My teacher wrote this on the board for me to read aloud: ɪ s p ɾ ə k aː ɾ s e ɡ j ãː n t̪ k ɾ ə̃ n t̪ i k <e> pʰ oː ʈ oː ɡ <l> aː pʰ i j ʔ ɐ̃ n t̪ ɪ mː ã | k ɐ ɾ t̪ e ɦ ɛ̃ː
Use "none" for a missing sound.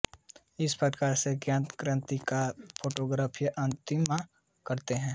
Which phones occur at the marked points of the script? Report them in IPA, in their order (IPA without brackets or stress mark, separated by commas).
a, ɾ